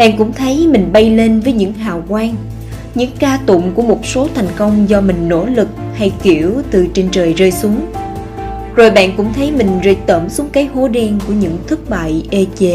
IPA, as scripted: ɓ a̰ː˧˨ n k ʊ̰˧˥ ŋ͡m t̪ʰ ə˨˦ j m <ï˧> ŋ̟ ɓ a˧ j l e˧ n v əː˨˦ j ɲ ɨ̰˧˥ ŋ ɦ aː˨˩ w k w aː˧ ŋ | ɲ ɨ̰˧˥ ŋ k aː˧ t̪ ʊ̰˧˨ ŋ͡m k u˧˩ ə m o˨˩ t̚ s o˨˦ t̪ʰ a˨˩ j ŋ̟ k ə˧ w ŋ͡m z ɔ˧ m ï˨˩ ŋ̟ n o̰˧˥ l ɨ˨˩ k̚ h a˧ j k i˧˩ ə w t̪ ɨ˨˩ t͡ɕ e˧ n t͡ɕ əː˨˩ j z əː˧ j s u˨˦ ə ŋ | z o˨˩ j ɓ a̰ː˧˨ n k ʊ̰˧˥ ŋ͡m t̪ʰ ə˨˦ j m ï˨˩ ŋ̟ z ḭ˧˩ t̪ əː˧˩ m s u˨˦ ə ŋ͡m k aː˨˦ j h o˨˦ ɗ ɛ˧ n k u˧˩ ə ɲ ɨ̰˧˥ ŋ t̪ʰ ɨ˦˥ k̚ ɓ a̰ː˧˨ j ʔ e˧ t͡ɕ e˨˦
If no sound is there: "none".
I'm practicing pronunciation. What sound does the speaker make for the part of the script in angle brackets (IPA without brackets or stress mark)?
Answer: ï˨˩